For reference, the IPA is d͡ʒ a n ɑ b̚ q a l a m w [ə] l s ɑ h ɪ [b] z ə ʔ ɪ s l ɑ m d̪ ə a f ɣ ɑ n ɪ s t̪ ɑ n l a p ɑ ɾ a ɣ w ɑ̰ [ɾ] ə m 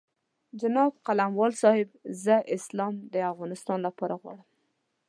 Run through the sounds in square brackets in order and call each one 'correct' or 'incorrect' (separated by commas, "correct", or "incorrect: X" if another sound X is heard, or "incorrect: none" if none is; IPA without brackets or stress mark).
incorrect: ɑ, correct, incorrect: ɽ